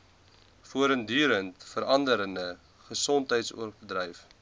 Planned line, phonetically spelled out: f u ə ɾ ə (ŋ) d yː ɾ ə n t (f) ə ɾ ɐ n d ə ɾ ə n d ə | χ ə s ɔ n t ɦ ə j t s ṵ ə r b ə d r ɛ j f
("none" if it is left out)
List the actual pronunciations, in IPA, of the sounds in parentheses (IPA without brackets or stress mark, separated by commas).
n, f